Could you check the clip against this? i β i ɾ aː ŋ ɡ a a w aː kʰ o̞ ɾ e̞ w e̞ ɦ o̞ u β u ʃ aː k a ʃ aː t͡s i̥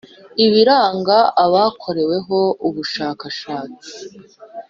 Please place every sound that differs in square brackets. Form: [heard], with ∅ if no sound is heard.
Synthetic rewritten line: i β i ɾ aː ŋ ɡ a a [β] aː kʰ o̞ ɾ e̞ w e̞ ɦ o̞ u β u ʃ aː k a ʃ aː t͡s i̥